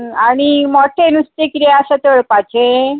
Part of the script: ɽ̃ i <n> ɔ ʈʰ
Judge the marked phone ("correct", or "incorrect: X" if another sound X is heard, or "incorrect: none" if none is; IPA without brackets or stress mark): incorrect: m